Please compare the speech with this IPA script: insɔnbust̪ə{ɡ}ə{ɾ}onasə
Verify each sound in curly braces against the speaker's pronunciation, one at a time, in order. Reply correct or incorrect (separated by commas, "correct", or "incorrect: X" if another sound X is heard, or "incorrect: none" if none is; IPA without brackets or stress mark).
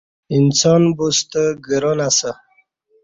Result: correct, correct